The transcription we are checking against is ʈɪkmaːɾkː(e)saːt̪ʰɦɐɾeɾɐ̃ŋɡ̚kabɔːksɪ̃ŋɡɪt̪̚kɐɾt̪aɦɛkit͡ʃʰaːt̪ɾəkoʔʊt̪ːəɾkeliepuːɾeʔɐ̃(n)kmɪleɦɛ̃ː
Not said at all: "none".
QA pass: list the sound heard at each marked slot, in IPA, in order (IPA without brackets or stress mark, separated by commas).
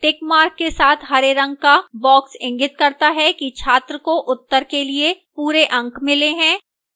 e, ŋ